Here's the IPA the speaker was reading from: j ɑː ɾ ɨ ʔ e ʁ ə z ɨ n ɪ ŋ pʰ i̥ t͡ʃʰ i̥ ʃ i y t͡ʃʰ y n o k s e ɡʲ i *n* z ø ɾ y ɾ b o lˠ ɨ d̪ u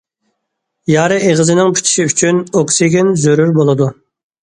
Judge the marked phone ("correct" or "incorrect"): correct